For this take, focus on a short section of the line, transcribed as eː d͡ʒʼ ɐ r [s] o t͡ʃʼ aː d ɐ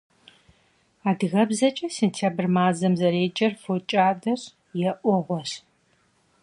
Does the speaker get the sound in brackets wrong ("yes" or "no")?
yes